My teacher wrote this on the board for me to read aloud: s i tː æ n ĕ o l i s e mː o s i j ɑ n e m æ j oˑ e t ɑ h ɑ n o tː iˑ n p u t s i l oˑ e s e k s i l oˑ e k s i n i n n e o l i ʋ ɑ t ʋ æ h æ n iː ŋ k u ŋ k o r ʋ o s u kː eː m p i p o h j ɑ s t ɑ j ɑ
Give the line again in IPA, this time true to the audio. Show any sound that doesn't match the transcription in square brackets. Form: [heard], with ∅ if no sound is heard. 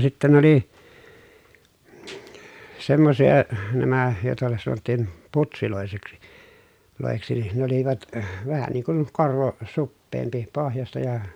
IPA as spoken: s i tː æ n ĕ o l i s e mː o s i j ɑ n [æ] m æ j oˑ e t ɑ [s] ɑ n o tː iˑ n p u t s i l oˑ e s e k s i l oˑ e k s i n i n n e o l i ʋ ɑ t ʋ æ h æ n iː ŋ k u [n] k o r ʋ o s u [pː] eː m p i p o h j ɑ s t ɑ j ɑ